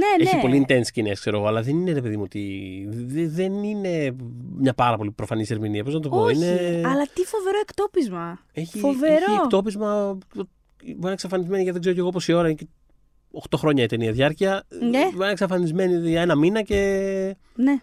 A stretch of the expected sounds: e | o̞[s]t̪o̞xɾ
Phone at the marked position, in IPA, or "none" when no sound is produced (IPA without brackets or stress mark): x